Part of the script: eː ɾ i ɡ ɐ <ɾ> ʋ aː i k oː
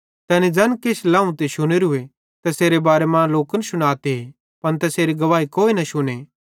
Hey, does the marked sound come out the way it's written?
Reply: no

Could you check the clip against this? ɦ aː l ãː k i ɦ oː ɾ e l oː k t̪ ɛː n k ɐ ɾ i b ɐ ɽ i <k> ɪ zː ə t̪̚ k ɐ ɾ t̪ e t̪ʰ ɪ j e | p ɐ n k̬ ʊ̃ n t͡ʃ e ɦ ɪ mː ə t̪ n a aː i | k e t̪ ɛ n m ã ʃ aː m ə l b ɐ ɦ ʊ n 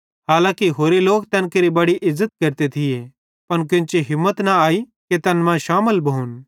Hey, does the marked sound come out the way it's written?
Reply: no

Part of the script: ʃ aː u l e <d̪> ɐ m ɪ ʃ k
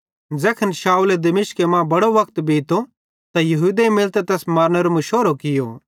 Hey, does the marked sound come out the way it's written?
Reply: yes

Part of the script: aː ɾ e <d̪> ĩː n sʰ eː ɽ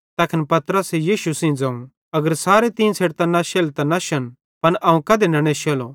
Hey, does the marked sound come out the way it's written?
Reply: no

